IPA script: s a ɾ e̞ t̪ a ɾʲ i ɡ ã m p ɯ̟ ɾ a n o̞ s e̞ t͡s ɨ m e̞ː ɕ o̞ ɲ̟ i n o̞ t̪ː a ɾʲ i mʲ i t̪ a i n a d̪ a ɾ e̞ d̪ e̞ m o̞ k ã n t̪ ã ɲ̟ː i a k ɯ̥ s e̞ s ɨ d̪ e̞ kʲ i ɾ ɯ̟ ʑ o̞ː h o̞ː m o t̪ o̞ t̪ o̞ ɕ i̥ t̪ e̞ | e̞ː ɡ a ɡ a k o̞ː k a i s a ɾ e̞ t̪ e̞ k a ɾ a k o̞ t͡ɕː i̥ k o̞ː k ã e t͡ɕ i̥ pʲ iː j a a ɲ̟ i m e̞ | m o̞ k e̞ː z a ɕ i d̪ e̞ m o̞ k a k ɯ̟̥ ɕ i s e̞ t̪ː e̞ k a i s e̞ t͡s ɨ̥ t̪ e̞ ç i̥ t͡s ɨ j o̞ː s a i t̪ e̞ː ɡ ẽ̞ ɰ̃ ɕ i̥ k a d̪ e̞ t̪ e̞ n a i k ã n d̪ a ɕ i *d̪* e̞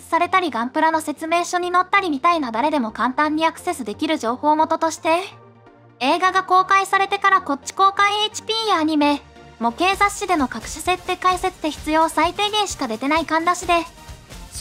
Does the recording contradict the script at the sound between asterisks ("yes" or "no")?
no